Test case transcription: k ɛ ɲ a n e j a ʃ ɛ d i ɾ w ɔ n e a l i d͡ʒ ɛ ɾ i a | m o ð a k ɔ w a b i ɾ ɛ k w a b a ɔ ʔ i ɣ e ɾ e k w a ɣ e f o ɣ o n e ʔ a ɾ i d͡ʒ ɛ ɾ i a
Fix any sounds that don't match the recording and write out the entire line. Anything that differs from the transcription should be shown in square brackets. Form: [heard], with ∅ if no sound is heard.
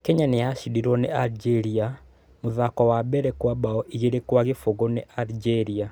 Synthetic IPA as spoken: k ɛ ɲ a n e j a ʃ [i] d i ɾ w ɔ n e a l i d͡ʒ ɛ ɾ i a | m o ð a k ɔ w a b [ɛ] ɾ ɛ k w a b a ɔ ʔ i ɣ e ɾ e k w a ɣ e f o ɣ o n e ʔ a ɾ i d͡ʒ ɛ ɾ i a